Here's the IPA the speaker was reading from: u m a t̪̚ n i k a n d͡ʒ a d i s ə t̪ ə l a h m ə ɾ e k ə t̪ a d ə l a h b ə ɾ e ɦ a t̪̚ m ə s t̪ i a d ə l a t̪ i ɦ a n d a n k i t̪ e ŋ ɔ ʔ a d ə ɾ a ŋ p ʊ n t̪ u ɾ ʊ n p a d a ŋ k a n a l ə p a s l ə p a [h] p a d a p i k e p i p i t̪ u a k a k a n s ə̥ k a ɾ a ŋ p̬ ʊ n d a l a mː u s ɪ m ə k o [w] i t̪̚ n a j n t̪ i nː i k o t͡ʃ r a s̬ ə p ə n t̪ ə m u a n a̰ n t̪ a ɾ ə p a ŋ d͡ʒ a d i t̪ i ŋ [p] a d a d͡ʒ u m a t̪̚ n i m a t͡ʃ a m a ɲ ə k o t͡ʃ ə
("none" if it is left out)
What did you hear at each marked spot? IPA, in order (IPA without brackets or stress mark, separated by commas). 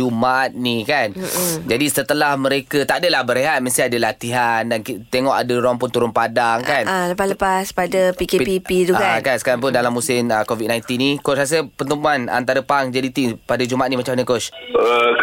s, v, p